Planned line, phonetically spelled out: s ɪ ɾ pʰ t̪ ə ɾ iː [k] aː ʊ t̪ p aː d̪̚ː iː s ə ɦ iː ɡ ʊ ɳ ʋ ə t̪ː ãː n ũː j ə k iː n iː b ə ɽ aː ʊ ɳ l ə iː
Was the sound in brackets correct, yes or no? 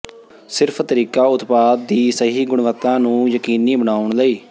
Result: yes